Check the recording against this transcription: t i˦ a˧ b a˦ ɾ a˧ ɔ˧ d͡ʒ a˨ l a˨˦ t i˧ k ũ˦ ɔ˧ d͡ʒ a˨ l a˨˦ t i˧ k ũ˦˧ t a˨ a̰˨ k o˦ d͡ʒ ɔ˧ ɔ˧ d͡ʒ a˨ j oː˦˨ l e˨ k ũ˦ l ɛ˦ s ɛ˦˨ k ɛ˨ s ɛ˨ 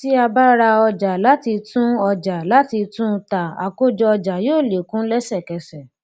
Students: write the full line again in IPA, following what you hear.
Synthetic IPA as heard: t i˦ a˧ b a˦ ɾ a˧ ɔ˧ d͡ʒ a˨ l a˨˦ t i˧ t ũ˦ ɔ˧ d͡ʒ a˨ l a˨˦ t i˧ t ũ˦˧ t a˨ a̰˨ k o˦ d͡ʒ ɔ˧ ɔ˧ d͡ʒ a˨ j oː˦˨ l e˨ k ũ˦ l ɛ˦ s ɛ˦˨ k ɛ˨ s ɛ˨